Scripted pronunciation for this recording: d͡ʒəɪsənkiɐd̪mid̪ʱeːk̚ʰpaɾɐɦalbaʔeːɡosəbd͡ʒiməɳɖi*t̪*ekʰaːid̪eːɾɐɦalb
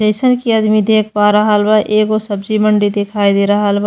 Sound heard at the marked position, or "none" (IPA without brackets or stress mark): d̪